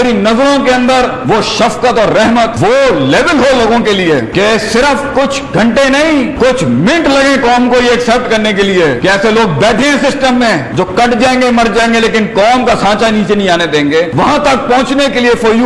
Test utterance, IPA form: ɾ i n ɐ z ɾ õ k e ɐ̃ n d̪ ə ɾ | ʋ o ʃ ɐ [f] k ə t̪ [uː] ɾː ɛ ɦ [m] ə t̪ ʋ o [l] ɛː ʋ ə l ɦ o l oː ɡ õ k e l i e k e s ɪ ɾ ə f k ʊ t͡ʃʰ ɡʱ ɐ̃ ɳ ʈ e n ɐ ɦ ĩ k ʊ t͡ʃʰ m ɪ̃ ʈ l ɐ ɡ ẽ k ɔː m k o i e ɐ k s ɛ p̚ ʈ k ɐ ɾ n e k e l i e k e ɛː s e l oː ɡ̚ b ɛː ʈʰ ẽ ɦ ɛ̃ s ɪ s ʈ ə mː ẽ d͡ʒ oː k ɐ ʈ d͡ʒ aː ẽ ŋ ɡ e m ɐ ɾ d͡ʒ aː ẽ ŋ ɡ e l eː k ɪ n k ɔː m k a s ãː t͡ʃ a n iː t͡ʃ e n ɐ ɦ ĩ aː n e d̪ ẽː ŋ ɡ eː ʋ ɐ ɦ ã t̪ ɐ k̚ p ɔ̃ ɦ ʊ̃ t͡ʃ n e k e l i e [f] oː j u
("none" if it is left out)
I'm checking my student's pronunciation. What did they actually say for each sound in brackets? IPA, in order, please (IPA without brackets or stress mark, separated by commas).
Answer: f, ɔː, m, l, f